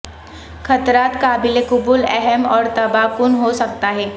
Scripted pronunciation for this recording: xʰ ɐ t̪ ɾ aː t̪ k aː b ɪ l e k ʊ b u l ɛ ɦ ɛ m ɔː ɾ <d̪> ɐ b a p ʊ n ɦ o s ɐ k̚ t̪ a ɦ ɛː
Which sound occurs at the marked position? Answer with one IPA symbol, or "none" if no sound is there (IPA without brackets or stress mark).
t̪